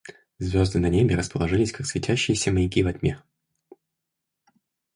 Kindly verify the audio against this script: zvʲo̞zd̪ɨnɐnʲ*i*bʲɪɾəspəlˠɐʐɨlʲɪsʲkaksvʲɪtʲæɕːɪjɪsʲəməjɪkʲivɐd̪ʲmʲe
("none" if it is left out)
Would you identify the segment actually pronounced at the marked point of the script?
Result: e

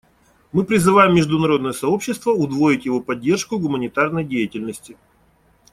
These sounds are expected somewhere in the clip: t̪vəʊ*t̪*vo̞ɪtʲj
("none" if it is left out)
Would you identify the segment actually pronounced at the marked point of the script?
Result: d̪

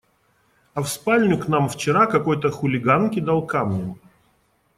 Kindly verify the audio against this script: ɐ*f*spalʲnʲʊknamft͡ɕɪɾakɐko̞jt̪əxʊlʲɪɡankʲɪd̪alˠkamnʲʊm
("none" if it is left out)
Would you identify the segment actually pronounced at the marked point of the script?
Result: f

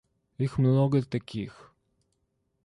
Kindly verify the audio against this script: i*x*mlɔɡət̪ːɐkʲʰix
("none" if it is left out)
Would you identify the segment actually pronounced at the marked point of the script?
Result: x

